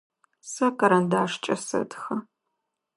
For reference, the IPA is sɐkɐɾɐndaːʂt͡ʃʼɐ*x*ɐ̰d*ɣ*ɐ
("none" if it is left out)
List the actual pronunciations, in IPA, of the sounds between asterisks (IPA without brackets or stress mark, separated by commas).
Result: s, x